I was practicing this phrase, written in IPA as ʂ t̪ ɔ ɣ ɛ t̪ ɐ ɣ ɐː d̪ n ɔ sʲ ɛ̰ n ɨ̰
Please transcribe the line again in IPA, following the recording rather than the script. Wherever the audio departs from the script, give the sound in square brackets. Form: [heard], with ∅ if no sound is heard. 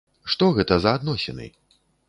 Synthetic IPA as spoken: ʂ t̪ ɔ ɣ ɛ t̪ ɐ [z] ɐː d̪ n ɔ sʲ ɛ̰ n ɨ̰